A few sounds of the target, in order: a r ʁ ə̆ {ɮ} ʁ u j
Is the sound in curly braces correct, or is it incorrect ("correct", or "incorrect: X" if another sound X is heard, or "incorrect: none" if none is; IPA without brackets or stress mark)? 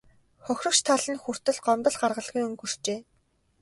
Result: correct